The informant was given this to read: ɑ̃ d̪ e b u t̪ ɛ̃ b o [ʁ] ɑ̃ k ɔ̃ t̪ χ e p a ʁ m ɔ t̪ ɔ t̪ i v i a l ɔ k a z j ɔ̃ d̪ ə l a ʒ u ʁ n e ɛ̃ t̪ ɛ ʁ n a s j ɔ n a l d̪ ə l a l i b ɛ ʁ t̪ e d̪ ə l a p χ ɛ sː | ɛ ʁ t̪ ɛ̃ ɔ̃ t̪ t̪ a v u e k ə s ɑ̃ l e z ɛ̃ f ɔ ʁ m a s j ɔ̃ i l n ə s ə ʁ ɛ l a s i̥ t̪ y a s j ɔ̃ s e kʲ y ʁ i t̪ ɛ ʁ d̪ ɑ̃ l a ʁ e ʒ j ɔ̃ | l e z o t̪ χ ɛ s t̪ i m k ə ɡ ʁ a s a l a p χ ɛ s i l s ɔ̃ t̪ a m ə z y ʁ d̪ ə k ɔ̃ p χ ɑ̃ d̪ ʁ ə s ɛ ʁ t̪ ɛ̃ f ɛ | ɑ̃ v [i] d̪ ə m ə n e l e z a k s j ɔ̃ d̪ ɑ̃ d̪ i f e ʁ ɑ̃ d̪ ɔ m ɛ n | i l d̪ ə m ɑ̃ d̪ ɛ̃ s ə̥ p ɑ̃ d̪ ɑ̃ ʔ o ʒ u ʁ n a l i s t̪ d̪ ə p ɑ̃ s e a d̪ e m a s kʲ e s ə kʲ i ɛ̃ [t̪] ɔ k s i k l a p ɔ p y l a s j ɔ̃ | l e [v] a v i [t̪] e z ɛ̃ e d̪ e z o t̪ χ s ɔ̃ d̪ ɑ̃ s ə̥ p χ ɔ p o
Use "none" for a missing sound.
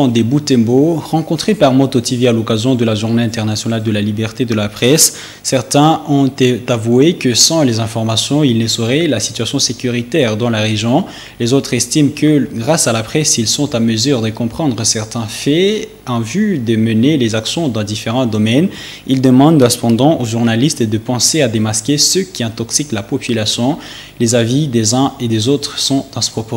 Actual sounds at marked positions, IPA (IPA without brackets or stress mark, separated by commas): ʁ, y, t̪, z, d̪